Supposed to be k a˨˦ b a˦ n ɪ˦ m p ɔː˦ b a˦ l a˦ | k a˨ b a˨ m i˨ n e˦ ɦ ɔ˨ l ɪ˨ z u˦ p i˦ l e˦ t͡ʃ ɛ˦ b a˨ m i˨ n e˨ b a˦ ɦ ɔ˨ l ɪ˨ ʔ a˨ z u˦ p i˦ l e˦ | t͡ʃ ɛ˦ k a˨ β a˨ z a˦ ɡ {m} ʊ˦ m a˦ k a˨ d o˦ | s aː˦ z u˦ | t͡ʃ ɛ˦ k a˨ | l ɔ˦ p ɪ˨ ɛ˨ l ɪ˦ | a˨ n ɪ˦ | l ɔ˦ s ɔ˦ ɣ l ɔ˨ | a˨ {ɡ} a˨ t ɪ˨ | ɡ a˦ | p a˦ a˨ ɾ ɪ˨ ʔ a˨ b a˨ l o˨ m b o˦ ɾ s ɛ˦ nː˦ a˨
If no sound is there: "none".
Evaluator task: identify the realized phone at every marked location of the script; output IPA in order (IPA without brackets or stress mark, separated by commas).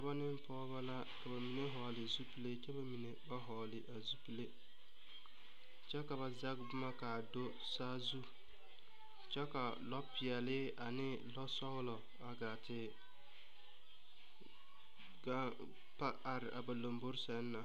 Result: b, ɡ